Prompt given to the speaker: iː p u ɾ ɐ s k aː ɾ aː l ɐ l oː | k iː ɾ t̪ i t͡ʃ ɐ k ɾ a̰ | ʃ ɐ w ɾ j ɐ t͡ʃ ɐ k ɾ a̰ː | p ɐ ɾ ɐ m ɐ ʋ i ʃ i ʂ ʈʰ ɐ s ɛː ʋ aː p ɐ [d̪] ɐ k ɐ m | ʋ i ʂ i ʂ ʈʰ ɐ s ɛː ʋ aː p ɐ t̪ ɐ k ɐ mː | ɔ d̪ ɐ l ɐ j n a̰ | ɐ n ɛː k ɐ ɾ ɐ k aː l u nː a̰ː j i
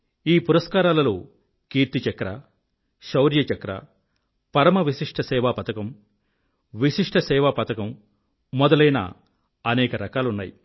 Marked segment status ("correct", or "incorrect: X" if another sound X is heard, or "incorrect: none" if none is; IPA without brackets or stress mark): incorrect: t̪